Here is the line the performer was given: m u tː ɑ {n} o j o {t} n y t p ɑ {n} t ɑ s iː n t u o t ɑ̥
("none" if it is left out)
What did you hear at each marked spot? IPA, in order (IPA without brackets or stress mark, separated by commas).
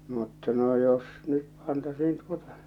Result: n, s, n